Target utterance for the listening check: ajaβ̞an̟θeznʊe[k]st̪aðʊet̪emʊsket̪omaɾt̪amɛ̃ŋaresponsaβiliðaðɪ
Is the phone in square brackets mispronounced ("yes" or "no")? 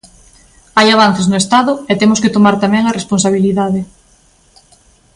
yes